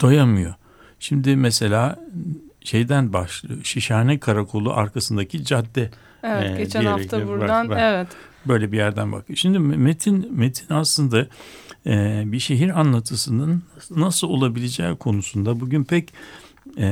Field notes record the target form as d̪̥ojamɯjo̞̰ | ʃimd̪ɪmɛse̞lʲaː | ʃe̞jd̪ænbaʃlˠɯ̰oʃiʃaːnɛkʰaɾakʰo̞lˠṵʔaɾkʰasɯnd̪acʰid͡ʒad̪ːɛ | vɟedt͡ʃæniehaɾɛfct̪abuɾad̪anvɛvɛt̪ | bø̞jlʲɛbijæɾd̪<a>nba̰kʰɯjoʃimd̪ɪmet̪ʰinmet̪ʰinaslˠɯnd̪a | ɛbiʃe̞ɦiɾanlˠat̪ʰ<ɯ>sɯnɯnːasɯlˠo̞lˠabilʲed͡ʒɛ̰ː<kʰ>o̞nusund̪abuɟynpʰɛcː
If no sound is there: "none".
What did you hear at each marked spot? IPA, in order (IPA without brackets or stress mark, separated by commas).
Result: æ, ɯ, kʰ